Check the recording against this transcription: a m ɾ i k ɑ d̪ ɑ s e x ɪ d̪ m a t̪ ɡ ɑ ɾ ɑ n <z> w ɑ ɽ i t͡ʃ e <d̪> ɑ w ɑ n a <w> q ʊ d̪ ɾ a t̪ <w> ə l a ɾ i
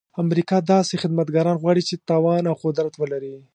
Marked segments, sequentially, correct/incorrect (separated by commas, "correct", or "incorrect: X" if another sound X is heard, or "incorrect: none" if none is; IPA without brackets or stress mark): incorrect: ɣ, incorrect: t̪, correct, correct